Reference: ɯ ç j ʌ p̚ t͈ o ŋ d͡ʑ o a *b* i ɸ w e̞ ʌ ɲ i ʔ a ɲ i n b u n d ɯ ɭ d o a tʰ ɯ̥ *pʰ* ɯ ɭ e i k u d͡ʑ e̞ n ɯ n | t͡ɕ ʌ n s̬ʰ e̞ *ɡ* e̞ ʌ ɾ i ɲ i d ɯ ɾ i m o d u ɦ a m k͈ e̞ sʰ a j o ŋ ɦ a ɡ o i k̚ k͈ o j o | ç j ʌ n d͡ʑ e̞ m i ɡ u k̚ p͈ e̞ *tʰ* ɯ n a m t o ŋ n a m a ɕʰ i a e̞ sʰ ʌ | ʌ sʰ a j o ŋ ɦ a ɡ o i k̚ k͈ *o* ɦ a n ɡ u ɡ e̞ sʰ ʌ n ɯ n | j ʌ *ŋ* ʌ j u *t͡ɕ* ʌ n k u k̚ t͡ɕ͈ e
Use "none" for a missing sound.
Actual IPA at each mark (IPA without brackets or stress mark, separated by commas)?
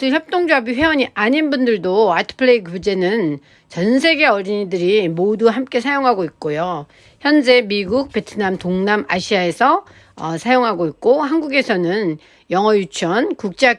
b, pʰ, ɡ, tʰ, o, ŋ, t͡ɕʰ